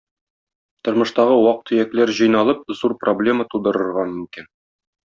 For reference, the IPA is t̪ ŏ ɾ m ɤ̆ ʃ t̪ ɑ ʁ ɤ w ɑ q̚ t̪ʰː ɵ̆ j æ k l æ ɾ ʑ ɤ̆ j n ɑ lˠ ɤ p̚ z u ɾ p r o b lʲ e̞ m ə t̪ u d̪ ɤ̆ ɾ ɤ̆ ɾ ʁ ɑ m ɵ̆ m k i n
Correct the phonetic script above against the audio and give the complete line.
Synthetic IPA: t̪ ŏ ɾ m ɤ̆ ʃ t̪ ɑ ʁ ɤ w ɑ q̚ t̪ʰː ɵ̆ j æ k l æ ɾ ʑ ɤ̆ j n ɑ lˠ ɤ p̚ z u ɾ p r o b lʲ e̞ m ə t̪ u d̪ ɤ̆ ɾ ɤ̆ ɾ ʁ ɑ m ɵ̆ m k i n